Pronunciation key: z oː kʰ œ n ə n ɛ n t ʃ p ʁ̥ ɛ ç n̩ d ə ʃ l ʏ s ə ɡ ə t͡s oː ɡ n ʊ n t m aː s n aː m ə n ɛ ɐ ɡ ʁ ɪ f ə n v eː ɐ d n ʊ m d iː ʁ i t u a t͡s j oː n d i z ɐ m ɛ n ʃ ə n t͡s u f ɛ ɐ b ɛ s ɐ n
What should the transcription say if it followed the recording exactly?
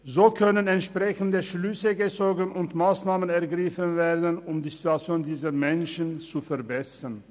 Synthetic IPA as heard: z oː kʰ œ n ə n ɛ n t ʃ p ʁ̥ ɛ ç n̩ d ə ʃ l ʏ s ə ɡ ə t͡s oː ɡ n ʊ n t m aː s n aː m ə n ɛ ɐ ɡ ʁ ɪ f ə n v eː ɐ d n ʊ m d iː z i t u a t͡s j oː n d iː z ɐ m ɛ n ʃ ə n t͡s u f ɛ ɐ b ɛ s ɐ n